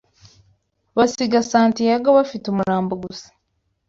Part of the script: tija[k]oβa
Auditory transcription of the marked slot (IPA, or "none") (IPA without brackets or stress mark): ɡ